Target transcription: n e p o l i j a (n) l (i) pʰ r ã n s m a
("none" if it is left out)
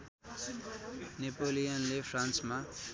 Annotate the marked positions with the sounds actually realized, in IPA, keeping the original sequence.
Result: n, e

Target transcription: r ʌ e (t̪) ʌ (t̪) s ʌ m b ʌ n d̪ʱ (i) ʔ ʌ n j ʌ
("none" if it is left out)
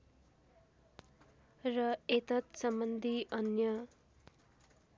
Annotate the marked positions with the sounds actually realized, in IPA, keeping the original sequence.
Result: t̪, t̪, i

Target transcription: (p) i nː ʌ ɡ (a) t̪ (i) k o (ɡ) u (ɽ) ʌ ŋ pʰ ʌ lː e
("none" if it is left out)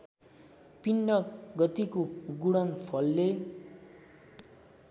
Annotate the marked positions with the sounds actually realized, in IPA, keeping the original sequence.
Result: p, ʌ, i, ɡ, ɽ

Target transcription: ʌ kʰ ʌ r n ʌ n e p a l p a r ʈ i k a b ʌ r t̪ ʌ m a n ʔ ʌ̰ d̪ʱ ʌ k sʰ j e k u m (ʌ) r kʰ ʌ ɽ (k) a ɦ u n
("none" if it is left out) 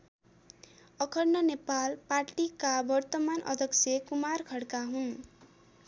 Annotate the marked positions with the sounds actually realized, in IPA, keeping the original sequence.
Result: a, k

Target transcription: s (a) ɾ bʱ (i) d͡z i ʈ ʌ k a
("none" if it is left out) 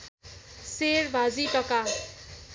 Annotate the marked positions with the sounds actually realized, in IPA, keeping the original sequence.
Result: e, a

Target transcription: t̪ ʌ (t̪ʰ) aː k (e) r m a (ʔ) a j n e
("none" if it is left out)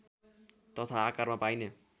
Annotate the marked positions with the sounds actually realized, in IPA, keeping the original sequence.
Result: t̪ʰ, a, p

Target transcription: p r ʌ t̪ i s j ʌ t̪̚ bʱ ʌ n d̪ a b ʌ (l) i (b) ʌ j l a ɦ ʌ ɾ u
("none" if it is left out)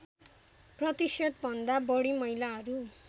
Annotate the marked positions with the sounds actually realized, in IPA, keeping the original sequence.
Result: ɽ, m

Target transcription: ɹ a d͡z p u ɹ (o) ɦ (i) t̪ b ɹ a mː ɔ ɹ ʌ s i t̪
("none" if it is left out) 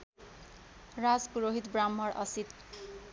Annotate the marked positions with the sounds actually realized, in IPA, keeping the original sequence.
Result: o, i

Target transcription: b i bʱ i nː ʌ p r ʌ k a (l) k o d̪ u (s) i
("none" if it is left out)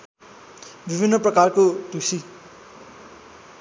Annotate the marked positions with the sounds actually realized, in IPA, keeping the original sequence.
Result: r, s

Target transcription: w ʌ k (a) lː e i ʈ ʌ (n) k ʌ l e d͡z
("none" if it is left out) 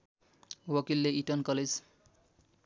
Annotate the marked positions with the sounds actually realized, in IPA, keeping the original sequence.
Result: i, n

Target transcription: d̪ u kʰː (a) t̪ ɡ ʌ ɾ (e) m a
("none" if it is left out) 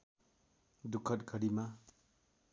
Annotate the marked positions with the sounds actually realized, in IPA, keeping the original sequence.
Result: ʌ, i

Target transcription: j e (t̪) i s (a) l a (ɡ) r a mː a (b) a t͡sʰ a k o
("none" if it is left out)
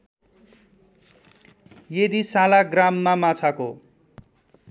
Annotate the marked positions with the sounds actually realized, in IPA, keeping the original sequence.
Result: d̪, a, ɡ, m

